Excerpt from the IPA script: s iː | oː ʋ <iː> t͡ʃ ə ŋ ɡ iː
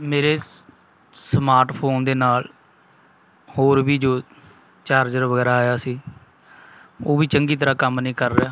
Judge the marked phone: correct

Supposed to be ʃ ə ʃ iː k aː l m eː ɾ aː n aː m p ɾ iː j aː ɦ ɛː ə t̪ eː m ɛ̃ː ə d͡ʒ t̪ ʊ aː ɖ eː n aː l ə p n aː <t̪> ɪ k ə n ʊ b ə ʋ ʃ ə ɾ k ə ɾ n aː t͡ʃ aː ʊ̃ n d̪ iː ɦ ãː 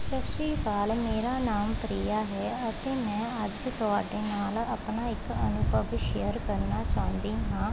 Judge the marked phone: incorrect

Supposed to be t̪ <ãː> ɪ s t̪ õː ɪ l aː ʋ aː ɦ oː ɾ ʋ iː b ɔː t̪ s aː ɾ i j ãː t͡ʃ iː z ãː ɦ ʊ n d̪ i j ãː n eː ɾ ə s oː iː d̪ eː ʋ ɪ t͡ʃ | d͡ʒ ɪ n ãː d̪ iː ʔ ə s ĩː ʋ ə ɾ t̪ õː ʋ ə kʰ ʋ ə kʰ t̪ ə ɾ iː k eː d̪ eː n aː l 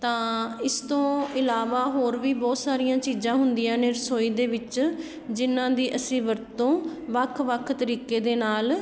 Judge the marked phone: correct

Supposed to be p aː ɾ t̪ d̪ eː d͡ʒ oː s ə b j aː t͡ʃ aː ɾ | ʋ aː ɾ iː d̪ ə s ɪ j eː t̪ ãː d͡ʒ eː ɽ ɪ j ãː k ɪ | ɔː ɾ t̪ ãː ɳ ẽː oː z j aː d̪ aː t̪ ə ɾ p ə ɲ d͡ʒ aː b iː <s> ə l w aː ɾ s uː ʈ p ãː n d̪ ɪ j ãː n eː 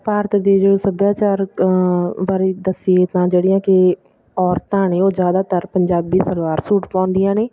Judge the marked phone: correct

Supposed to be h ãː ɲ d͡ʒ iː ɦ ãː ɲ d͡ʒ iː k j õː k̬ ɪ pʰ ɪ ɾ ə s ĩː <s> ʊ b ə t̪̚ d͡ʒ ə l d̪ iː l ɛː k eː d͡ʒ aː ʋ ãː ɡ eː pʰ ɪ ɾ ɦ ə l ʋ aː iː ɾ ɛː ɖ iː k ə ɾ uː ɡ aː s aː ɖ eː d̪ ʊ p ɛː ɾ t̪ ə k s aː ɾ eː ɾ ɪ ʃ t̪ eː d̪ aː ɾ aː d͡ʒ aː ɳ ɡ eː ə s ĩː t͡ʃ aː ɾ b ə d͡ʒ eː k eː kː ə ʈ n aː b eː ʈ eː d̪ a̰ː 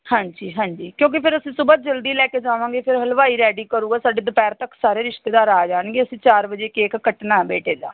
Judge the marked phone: correct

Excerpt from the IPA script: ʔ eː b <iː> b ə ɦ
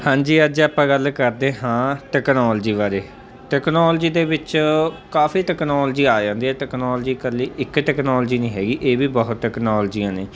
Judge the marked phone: correct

